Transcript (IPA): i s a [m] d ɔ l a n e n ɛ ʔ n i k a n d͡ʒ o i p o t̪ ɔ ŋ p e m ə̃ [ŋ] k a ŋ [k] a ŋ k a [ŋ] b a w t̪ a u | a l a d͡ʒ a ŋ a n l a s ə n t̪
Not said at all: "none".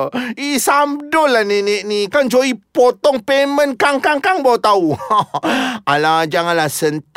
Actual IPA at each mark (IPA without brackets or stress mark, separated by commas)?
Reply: m, n, k, ŋ